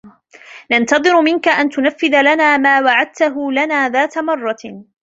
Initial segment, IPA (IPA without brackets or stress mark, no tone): n